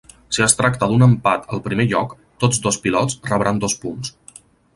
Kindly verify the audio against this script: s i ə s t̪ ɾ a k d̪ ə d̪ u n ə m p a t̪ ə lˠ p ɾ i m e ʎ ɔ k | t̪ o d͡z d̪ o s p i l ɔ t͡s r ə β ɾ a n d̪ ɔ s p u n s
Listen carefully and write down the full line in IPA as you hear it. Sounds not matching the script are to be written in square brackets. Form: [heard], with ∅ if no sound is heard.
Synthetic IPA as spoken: s i ə s t̪ ɾ a k [t̪] ə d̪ u n ə m p a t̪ ə lˠ p ɾ i m e ʎ ɔ k | t̪ o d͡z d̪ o s p i l ɔ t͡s r ə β ɾ a n d̪ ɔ s p u n s